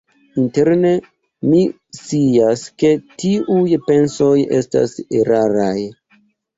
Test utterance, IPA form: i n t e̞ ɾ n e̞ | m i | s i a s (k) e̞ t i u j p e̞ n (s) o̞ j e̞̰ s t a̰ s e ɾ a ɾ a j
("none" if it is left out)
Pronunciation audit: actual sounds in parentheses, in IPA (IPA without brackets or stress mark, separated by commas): k, s